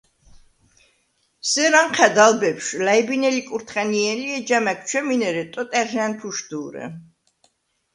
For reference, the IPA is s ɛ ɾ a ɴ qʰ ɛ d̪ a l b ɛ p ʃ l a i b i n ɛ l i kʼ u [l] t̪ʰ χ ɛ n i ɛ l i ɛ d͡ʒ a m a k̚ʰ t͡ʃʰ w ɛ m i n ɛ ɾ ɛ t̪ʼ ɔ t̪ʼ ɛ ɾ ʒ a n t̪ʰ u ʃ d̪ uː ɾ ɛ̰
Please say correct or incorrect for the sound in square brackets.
incorrect